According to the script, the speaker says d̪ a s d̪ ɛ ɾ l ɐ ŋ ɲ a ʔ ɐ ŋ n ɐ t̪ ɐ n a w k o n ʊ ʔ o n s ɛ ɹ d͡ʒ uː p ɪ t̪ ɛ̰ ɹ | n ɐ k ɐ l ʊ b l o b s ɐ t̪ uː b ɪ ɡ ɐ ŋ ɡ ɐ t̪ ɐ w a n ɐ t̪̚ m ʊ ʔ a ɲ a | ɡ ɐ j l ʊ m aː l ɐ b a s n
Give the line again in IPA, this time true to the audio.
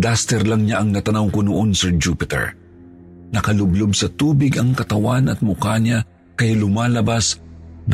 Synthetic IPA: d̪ a s t̪ ɛ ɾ l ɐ ŋ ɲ a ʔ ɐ ŋ n ɐ t̪ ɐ n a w k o n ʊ ʔ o n s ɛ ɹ d͡ʒ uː p ɪ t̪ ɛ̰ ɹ | n ɐ k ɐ l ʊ b l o b s ɐ t̪ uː b ɪ ɡ ɐ ŋ k ɐ t̪ ɐ w a n ɐ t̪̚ m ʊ k a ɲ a | k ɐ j l ʊ m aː l ɐ b a s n